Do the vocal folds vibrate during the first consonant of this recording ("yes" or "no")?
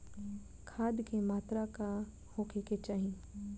no